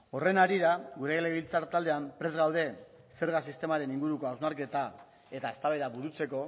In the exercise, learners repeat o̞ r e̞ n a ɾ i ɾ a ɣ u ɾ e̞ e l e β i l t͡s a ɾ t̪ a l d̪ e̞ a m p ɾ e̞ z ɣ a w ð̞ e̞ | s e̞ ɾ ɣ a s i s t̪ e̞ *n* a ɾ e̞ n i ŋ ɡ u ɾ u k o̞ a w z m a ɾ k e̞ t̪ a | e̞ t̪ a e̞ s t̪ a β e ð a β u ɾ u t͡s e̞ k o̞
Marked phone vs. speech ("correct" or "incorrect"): incorrect